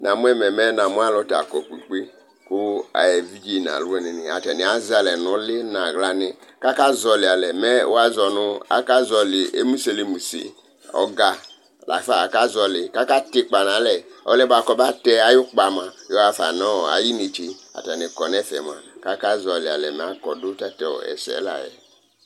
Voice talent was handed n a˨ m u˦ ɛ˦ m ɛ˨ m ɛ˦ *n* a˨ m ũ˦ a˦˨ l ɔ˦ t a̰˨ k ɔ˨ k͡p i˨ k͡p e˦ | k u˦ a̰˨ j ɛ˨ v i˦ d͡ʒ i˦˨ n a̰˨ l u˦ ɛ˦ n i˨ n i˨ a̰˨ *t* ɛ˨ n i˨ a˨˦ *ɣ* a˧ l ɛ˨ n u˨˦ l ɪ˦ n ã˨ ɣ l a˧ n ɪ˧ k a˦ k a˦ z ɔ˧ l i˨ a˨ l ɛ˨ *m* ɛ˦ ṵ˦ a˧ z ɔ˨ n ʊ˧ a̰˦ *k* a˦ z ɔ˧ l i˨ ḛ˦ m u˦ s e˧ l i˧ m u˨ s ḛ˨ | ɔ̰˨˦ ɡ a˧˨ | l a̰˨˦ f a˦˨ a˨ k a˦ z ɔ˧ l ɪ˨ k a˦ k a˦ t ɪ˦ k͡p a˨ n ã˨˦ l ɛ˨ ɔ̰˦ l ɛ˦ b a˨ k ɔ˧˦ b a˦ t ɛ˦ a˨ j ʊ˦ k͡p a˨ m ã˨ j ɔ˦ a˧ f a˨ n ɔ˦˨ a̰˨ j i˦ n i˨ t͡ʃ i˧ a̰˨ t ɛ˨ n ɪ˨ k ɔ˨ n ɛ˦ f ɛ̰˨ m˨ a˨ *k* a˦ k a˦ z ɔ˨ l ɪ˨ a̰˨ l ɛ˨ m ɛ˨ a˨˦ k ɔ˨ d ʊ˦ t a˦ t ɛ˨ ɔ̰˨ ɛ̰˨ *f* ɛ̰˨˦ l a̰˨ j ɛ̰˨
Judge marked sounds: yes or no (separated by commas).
yes, yes, no, yes, yes, yes, no